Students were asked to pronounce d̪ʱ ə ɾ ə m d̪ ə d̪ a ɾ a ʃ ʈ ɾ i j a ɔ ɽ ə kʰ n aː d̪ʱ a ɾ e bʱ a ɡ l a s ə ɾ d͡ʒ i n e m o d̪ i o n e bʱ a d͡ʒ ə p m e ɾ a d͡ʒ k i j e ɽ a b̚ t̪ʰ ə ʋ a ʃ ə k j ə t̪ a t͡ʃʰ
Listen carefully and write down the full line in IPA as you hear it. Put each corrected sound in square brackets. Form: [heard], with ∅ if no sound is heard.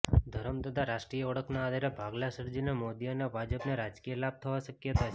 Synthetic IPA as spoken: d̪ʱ ə ɾ ə m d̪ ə d̪ a ɾ a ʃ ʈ ɾ i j [ə] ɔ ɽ ə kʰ n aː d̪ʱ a ɾ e bʱ a ɡ l a s ə ɾ d͡ʒ i n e m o d̪ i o n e bʱ a d͡ʒ ə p [n] e ɾ a d͡ʒ k i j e [l] a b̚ t̪ʰ ə ʋ a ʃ ə k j ə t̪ a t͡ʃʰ